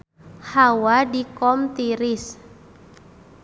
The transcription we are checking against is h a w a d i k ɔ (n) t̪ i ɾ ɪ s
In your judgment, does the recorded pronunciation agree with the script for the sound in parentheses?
no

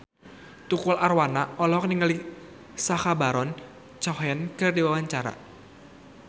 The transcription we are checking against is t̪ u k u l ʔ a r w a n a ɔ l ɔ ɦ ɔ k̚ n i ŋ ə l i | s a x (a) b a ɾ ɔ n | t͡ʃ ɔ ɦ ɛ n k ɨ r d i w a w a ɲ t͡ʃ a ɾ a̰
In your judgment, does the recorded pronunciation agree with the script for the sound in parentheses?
yes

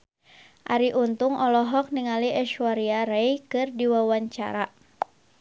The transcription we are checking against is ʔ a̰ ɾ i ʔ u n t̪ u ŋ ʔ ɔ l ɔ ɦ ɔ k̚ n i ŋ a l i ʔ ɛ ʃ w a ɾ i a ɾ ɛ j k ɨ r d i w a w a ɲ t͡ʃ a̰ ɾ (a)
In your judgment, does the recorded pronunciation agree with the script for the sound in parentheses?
yes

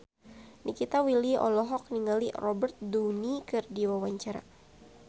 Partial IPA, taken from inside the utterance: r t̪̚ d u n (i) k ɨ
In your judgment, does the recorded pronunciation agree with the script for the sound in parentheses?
yes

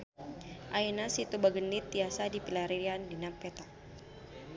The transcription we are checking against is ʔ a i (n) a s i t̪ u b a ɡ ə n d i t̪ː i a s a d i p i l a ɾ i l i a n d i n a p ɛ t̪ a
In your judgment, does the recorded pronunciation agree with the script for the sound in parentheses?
yes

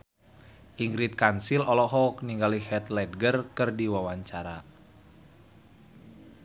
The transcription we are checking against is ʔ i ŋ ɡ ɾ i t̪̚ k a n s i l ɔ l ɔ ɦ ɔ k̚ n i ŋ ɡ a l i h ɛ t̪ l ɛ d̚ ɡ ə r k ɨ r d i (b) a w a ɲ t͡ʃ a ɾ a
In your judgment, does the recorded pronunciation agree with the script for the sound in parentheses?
no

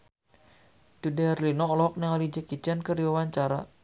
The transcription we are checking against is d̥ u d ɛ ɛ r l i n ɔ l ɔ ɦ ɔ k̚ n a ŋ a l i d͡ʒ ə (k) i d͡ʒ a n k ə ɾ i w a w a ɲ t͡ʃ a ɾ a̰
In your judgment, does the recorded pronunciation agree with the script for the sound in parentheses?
yes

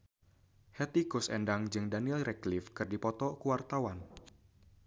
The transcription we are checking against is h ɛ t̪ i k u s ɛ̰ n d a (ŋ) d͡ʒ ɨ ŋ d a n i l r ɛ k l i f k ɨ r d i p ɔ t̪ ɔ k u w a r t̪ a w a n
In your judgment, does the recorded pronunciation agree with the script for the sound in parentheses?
yes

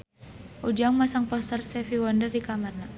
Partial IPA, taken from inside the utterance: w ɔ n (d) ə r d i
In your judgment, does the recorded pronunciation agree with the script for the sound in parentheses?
yes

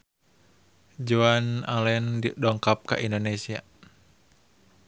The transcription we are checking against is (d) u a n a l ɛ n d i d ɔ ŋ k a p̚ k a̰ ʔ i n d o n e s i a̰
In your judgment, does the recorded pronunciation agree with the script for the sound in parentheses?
no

